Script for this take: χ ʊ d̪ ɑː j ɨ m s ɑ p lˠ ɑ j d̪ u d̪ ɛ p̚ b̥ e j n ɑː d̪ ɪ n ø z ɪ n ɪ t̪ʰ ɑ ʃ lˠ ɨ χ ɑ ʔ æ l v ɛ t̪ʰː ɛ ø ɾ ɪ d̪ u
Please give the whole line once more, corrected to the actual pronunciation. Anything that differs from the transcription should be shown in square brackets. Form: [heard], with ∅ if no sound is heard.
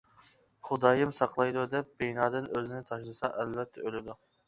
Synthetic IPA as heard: χ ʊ d̪ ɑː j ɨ m s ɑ [q] lˠ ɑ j d̪ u d̪ ɛ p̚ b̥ e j n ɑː d̪ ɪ n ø z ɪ n ɪ t̪ʰ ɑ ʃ lˠ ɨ [s] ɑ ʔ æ l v ɛ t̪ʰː ɛ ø [l] ɪ d̪ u